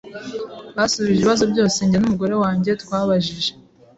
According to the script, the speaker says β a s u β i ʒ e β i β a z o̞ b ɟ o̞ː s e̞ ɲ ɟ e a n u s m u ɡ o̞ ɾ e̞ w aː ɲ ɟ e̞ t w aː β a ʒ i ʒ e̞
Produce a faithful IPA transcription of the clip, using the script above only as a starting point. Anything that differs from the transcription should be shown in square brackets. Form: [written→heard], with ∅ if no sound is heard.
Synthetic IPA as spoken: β a s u β i ʒ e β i β a z o̞ b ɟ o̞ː s e̞ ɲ ɟ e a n u [s→∅] m u ɡ o̞ ɾ e̞ w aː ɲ ɟ e̞ t w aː β a ʒ i ʒ e̞